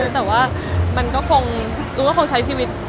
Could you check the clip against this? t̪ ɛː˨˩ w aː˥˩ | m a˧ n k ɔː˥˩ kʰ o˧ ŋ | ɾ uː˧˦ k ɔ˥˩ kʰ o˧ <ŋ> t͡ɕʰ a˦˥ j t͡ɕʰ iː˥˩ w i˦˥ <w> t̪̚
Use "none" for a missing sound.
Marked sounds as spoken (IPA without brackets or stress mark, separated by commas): ŋ, none